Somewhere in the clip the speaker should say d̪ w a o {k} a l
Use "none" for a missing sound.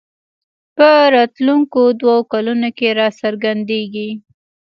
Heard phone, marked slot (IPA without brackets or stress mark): k